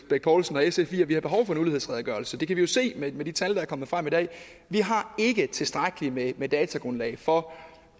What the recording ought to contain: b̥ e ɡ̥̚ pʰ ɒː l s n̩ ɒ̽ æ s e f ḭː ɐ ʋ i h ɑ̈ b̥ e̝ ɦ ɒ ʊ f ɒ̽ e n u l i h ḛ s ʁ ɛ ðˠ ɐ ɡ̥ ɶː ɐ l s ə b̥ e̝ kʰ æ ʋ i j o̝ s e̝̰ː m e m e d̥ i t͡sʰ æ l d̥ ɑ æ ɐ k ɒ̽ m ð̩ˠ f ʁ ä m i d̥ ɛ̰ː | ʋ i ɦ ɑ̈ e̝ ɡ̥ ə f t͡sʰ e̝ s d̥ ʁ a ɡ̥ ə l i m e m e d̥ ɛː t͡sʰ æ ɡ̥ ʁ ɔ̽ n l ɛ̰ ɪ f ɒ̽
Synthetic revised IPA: b̥ e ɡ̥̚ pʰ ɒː l s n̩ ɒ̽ e s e f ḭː ɐ ʋ i h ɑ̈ b̥ e̝ ɦ ɒ ʊ f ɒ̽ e n u l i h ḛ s ʁ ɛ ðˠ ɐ ɡ̥ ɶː ɐ l s ə d̥ e̝ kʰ æ ʋ i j o̝ s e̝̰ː m e m e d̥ i t͡sʰ æ l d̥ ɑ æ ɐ k ɒ̽ m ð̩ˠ f ʁ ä m i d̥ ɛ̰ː | ʋ i ɦ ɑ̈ e̝ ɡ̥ ə t͡sʰ e̝ s d̥ ʁ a ɡ̥ ə l i m e m e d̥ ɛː t͡sʰ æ ɡ̥ ʁ ɔ̽ n l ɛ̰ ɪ f ɒ̽